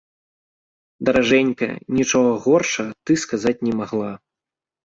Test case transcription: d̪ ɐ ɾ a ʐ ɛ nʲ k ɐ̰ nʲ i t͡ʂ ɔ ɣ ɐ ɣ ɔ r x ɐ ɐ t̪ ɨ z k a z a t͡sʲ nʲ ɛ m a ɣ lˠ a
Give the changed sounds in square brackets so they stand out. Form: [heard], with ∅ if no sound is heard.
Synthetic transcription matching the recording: d̪ ɐ ɾ a ʐ ɛ nʲ k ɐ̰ nʲ i t͡ʂ ɔ ɣ ɐ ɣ ɔ r [ʂ] ɐ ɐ t̪ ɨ [s] k a z a t͡sʲ nʲ ɛ m a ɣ lˠ a